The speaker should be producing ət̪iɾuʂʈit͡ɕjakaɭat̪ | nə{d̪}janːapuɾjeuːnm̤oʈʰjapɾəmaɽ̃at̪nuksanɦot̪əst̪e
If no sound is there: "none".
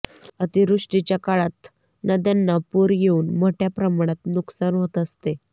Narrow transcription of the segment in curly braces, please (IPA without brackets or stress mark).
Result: d̪